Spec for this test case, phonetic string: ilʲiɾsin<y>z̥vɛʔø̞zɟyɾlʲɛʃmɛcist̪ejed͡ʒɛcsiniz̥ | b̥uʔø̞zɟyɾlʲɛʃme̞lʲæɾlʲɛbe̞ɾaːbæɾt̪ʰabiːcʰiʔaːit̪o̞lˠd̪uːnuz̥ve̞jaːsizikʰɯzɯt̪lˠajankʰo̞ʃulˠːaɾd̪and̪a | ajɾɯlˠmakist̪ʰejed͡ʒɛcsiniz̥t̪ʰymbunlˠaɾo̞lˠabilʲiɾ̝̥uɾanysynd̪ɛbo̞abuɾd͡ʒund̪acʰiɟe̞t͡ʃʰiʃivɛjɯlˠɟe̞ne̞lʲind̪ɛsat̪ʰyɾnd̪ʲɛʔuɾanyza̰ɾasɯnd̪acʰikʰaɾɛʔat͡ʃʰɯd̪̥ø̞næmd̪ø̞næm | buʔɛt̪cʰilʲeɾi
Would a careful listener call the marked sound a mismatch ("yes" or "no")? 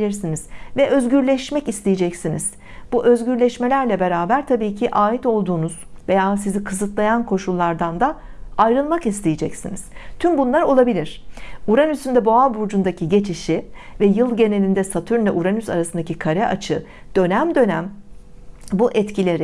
yes